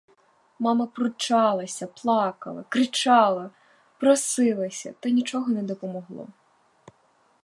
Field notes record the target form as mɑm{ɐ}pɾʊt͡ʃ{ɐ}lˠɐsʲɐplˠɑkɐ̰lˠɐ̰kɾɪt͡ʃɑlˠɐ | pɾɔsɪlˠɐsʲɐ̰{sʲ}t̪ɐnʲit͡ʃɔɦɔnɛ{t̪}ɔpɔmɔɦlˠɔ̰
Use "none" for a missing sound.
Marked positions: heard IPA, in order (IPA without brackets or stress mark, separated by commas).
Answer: ɐ, ɑ, none, d̪